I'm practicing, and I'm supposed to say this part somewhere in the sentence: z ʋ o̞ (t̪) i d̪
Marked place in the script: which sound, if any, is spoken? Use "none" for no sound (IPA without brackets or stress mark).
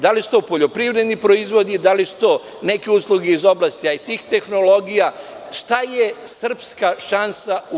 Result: d̪